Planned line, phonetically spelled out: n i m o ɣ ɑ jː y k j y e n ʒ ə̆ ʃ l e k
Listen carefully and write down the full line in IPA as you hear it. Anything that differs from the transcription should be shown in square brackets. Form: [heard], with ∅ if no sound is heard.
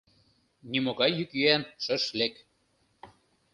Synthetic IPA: n i m o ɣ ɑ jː y k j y [æ] n [ʃ] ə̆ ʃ l e k